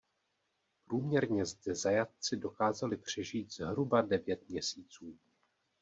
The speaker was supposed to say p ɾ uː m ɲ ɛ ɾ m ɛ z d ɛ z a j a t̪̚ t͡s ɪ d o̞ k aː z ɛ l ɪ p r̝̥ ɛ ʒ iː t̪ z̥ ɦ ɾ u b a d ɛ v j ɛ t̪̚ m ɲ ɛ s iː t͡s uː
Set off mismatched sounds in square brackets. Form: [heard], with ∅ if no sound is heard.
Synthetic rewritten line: p ɾ uː m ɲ ɛ ɾ [ɲ] ɛ z d ɛ z a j a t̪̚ t͡s ɪ d o̞ k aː z [a] l ɪ p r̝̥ ɛ ʒ iː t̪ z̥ ɦ ɾ u b a d ɛ v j ɛ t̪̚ m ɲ ɛ s iː t͡s uː

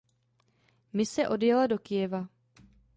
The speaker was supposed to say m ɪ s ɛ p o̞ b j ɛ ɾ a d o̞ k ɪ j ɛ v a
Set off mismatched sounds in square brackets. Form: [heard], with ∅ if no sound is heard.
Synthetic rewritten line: m ɪ s ɛ [ʔ] o̞ [d] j ɛ [l] a d o̞ k ɪ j ɛ v a

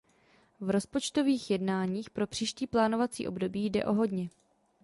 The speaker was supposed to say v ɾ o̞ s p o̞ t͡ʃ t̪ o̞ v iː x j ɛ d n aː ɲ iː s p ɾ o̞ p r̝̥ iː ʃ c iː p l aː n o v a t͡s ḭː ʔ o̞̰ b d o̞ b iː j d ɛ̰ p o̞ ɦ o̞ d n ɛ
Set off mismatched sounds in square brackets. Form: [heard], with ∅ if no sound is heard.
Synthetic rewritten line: v ɾ o̞ s p o̞ t͡ʃ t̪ o̞ v iː x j ɛ d n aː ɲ iː [x] p ɾ o̞ p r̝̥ iː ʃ c iː p l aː n o v a t͡s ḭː ʔ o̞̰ b d o̞ b iː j d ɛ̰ [ʔ] o̞ ɦ o̞ d [ɲ] ɛ

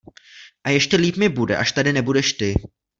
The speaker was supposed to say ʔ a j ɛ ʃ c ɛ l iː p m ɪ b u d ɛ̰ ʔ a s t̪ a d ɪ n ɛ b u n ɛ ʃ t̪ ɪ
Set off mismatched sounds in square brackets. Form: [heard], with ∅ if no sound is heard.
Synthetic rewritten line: ʔ a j ɛ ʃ c ɛ l iː p m ɪ b u d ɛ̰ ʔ a [ʃ] t̪ a d ɪ n ɛ b u [d] ɛ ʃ t̪ ɪ

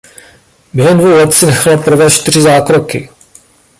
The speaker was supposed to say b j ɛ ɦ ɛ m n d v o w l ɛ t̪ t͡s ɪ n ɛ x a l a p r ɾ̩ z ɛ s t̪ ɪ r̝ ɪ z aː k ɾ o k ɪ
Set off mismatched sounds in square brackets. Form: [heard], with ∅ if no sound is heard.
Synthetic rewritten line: b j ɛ ɦ ɛ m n d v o w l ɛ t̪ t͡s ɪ n ɛ x a l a p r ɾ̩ [v] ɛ [ʃ] t̪ ɪ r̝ ɪ z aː k ɾ o k ɪ

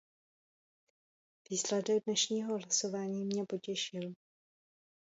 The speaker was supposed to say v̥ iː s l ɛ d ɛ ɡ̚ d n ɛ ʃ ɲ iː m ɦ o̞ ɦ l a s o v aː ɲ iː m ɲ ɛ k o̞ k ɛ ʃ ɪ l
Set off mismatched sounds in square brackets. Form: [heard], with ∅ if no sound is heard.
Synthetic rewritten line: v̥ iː s l ɛ d ɛ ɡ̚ d n ɛ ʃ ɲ iː [∅] ɦ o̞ ɦ l a s o v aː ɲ iː m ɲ ɛ [p] o̞ [c] ɛ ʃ ɪ l

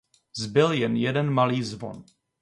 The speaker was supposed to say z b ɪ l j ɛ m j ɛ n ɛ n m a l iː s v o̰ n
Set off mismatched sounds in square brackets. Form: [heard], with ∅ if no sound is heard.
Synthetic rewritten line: z b ɪ l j ɛ [n] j ɛ [d] ɛ n m a l iː [z] v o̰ n

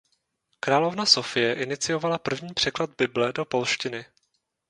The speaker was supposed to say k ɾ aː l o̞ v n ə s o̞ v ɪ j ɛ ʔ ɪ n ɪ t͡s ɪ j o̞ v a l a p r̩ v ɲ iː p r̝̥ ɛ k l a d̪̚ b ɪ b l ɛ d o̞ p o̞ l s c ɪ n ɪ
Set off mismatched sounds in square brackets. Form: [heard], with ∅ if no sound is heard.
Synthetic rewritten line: k ɾ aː l o̞ v n [a] s o̞ [f] ɪ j ɛ ʔ ɪ n ɪ t͡s ɪ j o̞ v a l a p r̩ v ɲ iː p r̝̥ ɛ k l a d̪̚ b ɪ b l ɛ d o̞ p o̞ l [ʃ] c ɪ n ɪ

